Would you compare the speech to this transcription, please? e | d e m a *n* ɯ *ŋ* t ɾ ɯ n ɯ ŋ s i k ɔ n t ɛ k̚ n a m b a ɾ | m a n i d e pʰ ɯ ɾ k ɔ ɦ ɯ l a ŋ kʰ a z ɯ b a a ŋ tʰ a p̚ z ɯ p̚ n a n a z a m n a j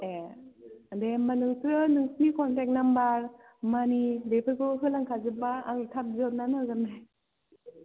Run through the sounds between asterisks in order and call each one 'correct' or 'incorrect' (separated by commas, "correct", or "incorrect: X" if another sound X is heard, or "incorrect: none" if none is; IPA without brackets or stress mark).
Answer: correct, correct